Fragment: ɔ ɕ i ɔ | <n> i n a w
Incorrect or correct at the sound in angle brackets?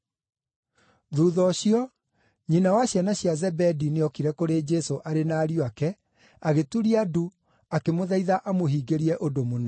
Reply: incorrect: ɲ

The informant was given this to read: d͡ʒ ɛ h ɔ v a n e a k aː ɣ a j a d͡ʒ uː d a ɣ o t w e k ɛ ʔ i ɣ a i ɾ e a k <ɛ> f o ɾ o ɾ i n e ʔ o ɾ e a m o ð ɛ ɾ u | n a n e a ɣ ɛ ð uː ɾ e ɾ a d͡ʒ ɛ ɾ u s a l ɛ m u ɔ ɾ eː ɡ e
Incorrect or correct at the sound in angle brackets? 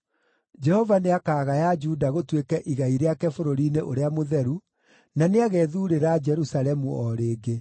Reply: correct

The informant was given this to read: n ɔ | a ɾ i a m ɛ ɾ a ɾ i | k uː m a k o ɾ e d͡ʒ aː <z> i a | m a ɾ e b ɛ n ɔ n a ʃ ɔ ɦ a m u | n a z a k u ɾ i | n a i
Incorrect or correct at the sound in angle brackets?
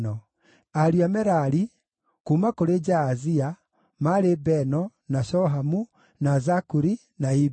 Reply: correct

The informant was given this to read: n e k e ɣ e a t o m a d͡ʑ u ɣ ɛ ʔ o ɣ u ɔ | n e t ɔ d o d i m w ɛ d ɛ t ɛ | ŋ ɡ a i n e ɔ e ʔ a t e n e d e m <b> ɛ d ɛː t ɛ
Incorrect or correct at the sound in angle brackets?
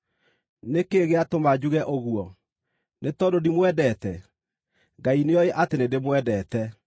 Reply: incorrect: w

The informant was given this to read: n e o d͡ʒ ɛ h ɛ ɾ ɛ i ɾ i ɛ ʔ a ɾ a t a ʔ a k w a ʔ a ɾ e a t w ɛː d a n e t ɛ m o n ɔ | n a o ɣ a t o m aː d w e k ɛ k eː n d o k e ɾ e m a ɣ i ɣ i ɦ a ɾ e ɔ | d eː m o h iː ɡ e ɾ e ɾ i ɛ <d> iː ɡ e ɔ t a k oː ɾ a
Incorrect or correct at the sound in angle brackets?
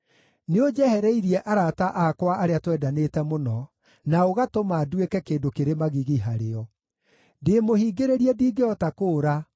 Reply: correct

